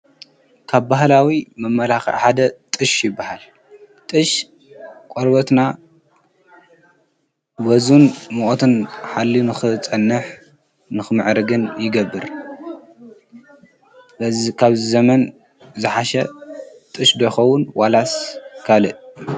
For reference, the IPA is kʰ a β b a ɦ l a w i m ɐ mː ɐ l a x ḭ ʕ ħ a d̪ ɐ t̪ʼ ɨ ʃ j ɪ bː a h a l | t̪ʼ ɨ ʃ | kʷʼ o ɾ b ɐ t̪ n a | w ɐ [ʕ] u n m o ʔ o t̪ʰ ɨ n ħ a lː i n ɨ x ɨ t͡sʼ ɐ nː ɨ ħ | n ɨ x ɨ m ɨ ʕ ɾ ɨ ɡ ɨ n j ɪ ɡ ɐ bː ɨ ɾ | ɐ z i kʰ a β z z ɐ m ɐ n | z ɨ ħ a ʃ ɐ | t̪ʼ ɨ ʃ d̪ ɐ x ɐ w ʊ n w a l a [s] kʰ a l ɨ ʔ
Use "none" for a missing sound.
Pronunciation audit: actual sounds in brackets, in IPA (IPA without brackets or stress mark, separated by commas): z, s